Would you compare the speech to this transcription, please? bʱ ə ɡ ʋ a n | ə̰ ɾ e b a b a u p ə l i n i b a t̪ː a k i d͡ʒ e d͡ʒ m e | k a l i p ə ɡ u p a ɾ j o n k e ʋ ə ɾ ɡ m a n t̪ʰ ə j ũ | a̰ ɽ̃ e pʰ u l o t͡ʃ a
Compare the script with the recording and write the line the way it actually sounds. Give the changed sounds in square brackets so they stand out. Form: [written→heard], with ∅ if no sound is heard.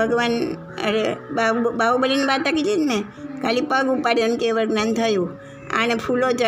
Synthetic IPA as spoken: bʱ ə ɡ ʋ a n | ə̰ ɾ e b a b a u [p→b] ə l i n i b a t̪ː a k i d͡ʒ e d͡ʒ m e | k a l i p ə ɡ u p a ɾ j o n k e ʋ ə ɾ ɡ [m→n] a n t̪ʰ ə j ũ | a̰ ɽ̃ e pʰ u l o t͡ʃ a